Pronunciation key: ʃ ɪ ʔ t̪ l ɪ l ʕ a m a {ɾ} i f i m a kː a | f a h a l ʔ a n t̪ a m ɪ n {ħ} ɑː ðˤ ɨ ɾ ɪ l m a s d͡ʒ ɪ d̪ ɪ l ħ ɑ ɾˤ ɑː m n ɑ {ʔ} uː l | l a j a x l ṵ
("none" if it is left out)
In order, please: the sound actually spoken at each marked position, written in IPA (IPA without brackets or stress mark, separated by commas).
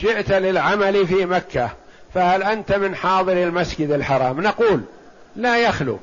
l, ħ, q